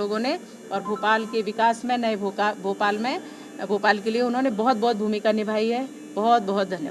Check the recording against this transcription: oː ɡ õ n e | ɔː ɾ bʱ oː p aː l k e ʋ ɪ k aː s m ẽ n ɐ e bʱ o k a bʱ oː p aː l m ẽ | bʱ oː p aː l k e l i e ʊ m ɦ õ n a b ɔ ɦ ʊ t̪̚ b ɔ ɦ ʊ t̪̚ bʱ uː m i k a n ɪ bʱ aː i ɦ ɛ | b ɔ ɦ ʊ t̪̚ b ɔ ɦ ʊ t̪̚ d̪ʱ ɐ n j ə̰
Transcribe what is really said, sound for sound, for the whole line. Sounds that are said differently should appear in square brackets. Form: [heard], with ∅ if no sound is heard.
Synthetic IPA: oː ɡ õ n e | ɔː ɾ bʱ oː p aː l k e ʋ ɪ k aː s m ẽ n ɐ e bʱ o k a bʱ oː p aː l m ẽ | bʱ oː p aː l k e l i e ʊ [n] ɦ õ n [e] b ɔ ɦ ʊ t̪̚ b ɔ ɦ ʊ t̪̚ bʱ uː m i k a n ɪ bʱ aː i ɦ ɛ | b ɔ ɦ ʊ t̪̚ b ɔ ɦ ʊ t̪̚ d̪ʱ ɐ n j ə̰